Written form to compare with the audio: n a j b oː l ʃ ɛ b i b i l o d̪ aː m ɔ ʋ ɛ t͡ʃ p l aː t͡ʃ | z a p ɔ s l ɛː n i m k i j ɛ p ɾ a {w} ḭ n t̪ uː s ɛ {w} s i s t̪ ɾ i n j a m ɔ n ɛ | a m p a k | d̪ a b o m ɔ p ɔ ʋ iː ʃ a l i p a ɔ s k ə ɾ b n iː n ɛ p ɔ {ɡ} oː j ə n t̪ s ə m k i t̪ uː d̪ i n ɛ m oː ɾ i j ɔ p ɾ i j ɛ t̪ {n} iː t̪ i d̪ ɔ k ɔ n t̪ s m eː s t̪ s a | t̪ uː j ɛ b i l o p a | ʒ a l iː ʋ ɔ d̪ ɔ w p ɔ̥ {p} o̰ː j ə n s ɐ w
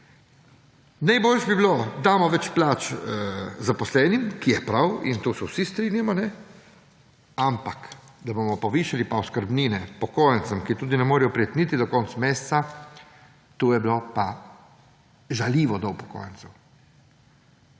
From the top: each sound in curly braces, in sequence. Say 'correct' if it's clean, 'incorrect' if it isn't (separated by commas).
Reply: correct, correct, incorrect, correct, incorrect